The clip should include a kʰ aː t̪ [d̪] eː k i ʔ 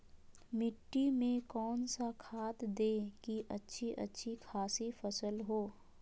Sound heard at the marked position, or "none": d̪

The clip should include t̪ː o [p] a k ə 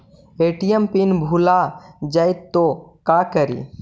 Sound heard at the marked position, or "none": k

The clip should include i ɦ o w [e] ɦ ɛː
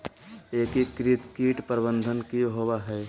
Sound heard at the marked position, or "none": a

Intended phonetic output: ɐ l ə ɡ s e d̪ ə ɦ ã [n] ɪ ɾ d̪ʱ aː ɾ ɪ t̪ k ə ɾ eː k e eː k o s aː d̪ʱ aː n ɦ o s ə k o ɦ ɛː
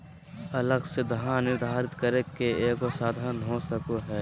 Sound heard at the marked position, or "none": n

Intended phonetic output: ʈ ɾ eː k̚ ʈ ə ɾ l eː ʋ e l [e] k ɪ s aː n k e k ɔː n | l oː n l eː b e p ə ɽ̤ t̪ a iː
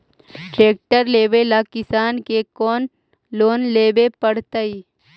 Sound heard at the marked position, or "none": a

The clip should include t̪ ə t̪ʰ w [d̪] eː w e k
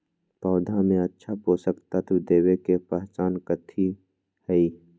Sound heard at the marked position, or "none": d̪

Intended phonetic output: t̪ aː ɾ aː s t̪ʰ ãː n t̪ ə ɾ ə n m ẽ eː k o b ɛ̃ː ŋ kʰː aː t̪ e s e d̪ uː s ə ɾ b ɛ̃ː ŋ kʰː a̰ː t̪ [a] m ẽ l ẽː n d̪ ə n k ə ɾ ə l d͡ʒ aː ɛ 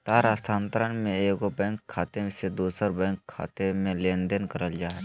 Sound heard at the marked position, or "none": e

